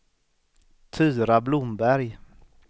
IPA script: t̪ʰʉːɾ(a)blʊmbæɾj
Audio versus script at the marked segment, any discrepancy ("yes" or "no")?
no